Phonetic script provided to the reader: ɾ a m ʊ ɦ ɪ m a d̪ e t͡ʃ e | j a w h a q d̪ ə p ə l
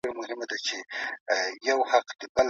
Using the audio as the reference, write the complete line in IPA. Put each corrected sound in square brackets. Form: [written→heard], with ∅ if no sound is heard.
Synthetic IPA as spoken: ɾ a m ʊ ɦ ɪ m a d̪ [e→a] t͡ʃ e | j a w h a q d̪ ə [p→b] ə l